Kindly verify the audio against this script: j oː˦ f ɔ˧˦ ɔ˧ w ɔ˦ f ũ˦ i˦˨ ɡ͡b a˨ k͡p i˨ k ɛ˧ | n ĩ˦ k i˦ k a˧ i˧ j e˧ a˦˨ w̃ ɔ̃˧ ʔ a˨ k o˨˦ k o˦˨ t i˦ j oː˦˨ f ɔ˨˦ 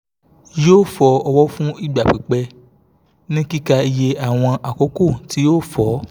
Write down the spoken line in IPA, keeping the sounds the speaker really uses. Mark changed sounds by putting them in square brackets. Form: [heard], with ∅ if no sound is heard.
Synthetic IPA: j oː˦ f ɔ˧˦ ɔ˧ w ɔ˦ f ũ˦ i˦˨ ɡ͡b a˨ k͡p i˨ [k͡p] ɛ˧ | n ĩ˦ k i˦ k a˧ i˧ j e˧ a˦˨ w̃ ɔ̃˧ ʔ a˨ k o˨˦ k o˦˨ t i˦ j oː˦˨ f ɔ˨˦